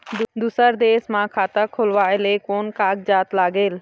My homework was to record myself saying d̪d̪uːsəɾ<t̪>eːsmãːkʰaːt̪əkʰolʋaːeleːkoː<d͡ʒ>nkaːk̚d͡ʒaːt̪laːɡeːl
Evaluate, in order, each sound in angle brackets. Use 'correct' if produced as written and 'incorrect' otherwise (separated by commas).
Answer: incorrect, incorrect